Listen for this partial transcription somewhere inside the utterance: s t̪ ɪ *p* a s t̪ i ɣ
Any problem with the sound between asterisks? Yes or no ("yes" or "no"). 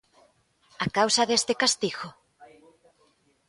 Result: yes